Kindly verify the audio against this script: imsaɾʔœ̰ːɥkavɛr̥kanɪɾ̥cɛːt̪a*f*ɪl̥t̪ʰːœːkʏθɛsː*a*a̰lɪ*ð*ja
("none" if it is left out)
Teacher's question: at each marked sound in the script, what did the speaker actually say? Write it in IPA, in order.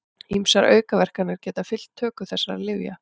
f, a, v

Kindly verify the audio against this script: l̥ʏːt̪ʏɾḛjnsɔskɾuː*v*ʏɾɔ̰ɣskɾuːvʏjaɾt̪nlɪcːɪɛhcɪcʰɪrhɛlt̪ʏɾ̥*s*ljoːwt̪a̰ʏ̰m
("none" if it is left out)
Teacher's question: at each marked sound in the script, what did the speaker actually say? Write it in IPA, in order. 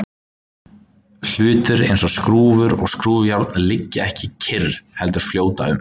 v, f

